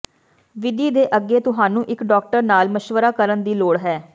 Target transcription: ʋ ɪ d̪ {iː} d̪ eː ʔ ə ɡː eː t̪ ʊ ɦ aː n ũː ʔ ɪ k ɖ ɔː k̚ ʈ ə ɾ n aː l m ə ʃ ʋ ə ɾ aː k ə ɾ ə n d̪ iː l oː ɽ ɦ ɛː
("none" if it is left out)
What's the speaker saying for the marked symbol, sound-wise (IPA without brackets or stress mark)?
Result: iː